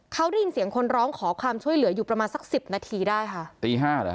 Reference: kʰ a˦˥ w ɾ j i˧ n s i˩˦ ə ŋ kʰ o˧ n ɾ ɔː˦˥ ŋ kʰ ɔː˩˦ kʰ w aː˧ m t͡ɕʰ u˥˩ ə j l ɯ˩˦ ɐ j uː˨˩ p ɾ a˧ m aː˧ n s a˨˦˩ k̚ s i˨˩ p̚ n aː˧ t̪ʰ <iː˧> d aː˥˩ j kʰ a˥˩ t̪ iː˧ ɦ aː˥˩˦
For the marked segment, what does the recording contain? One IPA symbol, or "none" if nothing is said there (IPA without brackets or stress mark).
iː˧